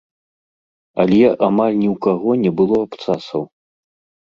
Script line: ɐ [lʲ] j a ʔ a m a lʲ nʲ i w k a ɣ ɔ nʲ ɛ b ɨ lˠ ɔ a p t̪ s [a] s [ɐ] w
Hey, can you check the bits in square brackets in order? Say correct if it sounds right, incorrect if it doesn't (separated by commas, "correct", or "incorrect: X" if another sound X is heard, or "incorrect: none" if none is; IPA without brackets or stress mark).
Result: correct, correct, correct